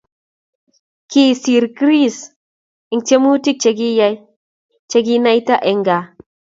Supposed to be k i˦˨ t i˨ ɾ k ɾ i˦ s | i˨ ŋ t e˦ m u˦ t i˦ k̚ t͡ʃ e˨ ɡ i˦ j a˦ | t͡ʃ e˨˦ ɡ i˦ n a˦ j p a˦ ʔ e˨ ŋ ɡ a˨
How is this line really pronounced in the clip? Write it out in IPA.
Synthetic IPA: k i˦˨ s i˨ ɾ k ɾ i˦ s | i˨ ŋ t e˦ m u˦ t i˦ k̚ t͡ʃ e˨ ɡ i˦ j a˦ | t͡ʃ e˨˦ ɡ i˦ n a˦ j t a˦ ʔ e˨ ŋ ɡ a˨